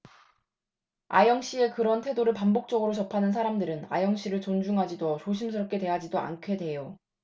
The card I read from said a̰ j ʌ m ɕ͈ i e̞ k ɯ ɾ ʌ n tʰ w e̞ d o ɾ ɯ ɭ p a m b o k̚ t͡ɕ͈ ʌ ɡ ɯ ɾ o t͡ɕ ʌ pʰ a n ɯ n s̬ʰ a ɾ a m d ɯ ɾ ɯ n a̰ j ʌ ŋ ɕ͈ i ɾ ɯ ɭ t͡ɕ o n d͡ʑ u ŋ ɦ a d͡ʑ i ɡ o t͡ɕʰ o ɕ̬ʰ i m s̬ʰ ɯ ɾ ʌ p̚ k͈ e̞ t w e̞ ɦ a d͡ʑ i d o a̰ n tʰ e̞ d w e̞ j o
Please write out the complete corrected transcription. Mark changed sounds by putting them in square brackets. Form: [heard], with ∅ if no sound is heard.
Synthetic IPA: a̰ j ʌ [ŋ] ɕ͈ i e̞ k ɯ ɾ ʌ n tʰ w e̞ d o ɾ ɯ ɭ p a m b o k̚ t͡ɕ͈ ʌ ɡ ɯ ɾ o t͡ɕ ʌ pʰ a n ɯ n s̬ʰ a ɾ a m d ɯ ɾ ɯ n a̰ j ʌ ŋ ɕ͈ i ɾ ɯ ɭ t͡ɕ o n d͡ʑ u ŋ ɦ a d͡ʑ i [d] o [t͡ɕ] o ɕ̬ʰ i m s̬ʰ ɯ ɾ ʌ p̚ k͈ e̞ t w e̞ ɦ a d͡ʑ i d o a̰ n [kʰ] e̞ d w e̞ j o